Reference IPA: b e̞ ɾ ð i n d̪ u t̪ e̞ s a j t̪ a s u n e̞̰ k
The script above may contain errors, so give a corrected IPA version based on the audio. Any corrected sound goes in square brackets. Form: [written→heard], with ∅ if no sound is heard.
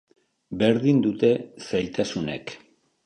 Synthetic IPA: b e̞ ɾ ð i n d̪ u t̪ e̞ s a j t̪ a s u n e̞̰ k